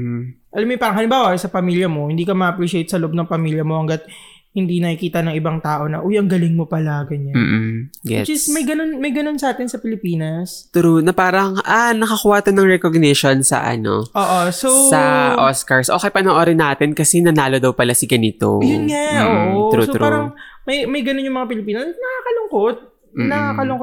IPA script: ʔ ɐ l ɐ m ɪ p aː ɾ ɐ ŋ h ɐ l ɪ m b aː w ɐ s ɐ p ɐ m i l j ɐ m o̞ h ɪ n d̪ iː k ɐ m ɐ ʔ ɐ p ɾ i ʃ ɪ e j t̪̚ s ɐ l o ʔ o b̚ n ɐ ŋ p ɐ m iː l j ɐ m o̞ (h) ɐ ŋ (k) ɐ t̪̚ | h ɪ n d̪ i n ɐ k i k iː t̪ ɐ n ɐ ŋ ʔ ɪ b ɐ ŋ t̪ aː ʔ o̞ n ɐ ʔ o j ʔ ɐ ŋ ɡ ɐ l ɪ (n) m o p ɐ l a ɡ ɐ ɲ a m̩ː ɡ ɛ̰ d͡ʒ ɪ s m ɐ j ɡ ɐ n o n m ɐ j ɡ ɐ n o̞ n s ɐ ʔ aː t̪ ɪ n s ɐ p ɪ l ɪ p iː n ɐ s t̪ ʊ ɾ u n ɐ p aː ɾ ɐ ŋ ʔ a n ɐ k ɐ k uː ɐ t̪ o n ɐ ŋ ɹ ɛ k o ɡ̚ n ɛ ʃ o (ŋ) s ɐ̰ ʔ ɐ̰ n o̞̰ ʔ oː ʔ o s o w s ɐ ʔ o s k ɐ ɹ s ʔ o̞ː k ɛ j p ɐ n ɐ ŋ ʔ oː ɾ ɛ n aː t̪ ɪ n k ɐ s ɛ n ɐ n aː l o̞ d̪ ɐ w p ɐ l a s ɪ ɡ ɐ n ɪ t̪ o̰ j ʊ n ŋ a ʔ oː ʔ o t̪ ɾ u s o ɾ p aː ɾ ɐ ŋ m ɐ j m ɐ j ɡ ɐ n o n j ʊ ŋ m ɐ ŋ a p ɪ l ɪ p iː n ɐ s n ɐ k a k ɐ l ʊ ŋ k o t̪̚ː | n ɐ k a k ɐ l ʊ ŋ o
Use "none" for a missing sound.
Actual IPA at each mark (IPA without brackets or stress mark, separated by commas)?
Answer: h, ɡ, ŋ, n